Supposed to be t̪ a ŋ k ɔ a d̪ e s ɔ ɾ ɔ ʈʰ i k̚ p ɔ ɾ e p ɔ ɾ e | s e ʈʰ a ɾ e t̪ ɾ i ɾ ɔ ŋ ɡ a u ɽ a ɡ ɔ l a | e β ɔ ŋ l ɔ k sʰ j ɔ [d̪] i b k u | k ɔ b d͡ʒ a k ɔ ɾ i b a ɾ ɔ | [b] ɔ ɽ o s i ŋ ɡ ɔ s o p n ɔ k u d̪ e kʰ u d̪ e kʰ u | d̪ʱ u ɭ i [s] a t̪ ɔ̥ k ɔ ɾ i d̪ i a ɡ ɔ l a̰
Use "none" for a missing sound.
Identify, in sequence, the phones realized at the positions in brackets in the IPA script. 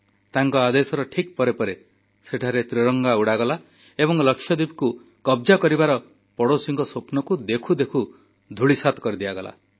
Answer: d̪, p, s

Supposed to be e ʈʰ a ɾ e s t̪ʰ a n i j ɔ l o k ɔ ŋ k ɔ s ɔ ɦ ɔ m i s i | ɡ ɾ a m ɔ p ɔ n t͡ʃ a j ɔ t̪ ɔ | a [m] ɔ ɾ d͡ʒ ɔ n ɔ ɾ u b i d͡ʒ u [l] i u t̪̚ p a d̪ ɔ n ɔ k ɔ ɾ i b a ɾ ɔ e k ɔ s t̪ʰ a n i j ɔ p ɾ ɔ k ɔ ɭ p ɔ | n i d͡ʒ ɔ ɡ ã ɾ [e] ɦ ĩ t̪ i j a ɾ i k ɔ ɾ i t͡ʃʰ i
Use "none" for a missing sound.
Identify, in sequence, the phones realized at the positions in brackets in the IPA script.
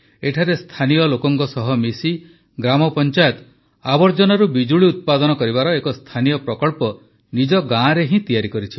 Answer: b, ɭ, e

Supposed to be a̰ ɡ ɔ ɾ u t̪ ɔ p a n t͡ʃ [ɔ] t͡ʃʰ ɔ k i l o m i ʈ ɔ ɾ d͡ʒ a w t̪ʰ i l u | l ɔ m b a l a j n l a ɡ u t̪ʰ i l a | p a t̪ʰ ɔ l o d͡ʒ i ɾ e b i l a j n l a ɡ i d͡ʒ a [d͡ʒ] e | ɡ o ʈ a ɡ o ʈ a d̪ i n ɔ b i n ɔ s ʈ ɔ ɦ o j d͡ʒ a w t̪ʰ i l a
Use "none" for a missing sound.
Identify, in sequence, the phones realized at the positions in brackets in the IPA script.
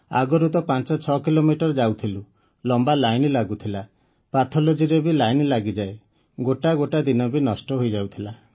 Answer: ɔ, none

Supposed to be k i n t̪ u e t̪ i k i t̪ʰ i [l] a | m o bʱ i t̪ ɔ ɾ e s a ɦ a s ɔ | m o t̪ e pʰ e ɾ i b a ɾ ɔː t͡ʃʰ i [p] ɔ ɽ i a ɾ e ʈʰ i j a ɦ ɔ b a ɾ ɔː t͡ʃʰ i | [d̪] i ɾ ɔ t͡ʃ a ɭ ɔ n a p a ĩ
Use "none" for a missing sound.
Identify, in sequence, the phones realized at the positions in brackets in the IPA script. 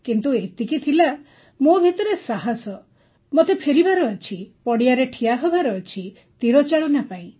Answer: l, p, t̪

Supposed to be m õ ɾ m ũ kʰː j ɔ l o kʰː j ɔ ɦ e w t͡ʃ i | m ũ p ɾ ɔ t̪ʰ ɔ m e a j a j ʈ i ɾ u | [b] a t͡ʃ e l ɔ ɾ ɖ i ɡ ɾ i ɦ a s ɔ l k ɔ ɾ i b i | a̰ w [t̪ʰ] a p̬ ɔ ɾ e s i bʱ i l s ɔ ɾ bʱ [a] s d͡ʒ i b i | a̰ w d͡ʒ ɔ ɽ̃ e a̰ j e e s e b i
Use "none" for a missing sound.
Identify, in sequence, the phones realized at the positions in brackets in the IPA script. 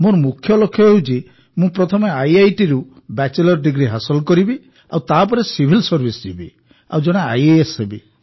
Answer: b, t̪, i

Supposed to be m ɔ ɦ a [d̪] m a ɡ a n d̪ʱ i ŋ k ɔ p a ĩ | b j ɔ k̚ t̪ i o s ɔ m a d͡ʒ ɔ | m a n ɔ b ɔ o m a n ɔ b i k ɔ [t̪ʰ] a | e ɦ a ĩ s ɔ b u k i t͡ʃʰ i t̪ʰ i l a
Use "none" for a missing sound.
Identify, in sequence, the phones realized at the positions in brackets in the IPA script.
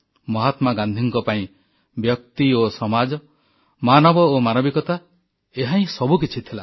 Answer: t̪, t̪

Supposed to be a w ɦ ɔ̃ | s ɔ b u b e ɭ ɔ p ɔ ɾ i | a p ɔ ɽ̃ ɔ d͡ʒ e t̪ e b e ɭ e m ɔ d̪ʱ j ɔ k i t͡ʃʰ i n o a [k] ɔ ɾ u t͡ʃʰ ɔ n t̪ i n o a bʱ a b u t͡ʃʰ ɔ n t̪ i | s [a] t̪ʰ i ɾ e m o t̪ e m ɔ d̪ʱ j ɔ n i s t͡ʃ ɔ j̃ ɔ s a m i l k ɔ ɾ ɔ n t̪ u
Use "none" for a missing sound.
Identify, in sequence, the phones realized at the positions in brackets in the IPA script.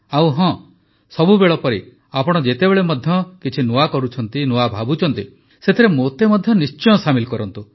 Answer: k, e

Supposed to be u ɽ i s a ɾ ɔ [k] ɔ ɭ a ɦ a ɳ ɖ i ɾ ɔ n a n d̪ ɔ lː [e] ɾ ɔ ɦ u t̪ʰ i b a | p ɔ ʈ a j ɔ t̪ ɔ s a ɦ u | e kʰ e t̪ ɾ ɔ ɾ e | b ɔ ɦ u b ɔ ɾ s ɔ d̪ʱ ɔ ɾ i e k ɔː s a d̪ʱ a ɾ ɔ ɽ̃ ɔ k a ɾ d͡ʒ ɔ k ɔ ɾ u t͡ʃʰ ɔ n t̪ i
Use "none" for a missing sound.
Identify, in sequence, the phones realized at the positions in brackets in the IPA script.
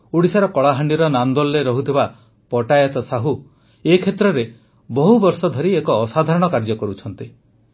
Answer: k, e

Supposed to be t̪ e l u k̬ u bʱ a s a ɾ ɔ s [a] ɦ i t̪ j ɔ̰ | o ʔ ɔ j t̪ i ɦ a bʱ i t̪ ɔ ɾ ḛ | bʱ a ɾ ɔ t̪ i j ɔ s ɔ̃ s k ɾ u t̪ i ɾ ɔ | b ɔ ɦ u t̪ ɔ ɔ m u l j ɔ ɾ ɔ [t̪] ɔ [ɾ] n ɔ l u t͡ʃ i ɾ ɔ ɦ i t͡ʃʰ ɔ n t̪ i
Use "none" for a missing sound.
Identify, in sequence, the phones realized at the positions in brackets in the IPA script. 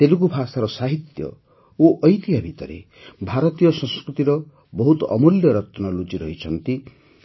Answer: a, t̪, none

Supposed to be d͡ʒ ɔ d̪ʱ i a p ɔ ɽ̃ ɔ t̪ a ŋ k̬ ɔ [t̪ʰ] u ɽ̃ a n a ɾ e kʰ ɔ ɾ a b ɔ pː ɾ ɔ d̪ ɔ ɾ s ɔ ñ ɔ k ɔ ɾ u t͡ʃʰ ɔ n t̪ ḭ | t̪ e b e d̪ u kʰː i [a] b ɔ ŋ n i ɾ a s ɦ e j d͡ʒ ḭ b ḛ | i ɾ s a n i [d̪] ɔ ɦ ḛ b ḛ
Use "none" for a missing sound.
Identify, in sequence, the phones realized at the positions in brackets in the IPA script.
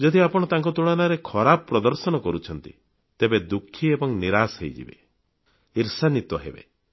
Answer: t̪, e, t̪

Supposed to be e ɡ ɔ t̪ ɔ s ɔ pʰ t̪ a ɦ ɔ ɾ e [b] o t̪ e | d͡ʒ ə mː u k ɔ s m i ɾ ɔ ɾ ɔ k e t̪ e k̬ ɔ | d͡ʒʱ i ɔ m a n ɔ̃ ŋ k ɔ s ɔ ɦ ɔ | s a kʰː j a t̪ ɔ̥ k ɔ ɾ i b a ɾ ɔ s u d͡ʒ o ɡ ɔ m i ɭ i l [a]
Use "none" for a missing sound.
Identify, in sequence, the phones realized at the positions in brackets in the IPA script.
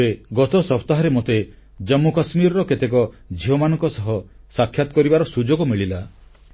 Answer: m, a

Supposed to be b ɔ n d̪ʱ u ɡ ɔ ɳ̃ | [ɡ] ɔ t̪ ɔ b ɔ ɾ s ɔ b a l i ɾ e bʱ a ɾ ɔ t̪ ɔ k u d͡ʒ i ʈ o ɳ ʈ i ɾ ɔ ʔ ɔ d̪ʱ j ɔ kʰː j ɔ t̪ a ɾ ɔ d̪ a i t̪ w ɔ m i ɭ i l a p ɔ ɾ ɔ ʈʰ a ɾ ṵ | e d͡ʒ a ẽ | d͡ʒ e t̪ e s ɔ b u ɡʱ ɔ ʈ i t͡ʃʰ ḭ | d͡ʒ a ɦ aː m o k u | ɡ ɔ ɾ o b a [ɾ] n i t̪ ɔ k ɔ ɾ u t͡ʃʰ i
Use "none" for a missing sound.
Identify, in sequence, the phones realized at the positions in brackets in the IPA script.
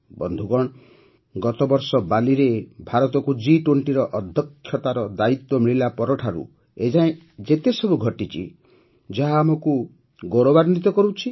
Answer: ɡ, ɾ

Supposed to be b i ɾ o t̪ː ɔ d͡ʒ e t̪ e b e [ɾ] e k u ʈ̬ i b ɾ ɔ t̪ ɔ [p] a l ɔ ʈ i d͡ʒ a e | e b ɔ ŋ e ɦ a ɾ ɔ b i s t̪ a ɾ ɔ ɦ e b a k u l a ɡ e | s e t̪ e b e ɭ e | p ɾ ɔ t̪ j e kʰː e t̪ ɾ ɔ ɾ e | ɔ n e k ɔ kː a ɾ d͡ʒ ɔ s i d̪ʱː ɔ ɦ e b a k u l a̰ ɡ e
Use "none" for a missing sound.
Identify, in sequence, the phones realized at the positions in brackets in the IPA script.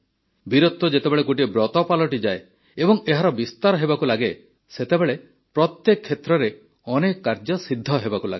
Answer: ɭ, p

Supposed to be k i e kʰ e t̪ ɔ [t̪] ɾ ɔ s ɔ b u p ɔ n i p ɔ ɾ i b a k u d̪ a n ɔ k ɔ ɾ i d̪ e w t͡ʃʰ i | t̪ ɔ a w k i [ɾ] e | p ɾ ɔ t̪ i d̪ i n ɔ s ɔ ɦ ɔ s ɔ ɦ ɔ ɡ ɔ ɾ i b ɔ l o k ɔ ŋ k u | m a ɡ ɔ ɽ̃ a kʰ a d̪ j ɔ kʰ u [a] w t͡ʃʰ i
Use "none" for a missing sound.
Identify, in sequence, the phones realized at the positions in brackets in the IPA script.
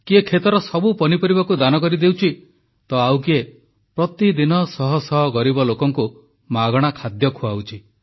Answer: none, none, a

